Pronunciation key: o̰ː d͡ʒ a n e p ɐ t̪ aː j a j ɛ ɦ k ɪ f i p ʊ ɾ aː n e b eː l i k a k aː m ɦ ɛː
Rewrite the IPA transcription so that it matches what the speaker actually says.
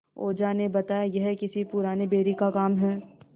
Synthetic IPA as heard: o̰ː d͡ʒ a n e b ɐ t̪ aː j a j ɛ ɦ k ɪ s i p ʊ ɾ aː n e b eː ɾ i k a k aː m ɦ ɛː